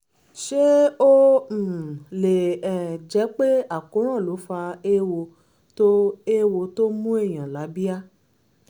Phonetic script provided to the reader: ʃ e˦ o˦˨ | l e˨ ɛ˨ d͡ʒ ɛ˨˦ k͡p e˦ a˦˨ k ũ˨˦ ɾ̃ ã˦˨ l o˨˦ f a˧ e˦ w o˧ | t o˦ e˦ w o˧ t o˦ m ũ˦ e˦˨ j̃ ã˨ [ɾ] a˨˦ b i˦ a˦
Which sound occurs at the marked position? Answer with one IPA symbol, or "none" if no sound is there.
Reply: l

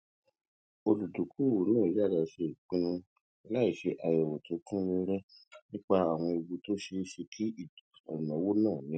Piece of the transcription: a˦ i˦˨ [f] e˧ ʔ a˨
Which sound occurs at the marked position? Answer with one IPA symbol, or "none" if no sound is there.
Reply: ʃ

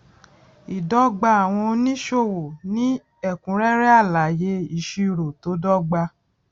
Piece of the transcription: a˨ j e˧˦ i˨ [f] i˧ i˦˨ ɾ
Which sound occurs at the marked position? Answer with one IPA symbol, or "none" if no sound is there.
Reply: ʃ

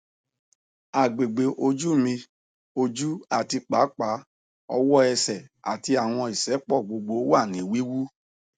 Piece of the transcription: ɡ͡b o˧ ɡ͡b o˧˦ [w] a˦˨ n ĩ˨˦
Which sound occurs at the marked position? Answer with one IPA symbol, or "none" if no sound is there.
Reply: w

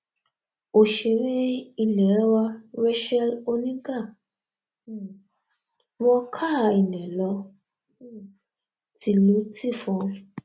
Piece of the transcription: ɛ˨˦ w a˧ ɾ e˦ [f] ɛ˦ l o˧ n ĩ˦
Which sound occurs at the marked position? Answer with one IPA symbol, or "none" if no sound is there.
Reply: ʃ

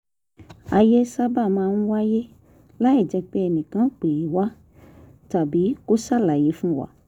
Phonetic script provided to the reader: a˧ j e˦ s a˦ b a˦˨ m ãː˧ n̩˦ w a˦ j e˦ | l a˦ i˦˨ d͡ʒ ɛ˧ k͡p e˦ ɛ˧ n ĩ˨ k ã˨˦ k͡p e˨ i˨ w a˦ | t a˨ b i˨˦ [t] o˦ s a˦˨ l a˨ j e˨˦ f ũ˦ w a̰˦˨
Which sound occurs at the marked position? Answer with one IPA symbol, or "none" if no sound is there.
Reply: k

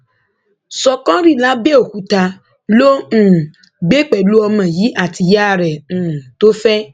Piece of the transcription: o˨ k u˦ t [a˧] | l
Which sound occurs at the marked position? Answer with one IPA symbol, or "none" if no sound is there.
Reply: a˧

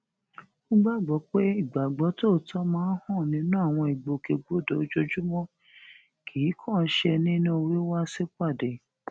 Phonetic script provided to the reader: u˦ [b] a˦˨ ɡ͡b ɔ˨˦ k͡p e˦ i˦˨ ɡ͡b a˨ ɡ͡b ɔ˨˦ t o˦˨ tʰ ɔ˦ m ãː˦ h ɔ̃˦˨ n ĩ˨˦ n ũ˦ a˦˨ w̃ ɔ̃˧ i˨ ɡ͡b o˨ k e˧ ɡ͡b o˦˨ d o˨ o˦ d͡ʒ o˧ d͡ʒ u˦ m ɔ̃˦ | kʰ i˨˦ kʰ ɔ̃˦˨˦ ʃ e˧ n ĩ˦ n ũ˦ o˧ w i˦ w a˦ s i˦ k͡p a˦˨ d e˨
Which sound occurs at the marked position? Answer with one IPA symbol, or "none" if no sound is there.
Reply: ɡ͡b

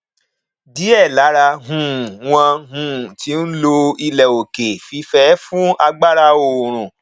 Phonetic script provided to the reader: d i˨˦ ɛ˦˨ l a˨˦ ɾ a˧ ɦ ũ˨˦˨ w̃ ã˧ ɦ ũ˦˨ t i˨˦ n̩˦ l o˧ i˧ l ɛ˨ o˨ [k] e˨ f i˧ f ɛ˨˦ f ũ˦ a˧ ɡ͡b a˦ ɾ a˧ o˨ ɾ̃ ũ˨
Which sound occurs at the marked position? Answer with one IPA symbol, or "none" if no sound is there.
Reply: k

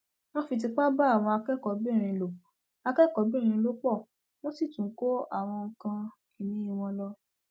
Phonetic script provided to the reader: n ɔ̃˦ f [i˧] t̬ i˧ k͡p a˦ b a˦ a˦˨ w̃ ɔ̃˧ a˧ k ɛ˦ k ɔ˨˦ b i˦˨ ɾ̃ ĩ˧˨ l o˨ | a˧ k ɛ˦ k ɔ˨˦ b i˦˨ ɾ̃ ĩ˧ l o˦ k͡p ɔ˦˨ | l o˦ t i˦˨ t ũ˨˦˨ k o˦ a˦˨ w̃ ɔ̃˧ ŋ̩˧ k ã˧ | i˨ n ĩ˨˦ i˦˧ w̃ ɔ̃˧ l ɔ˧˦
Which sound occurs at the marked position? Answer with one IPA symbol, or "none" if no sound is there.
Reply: i˧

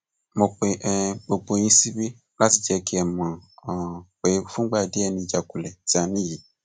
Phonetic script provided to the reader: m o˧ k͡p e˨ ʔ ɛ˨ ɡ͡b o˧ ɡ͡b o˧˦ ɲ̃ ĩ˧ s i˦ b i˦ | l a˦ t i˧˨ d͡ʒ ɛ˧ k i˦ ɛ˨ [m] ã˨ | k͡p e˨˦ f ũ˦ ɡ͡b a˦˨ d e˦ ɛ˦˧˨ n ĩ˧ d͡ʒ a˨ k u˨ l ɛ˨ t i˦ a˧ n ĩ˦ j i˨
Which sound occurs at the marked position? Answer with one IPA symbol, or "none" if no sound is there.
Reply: m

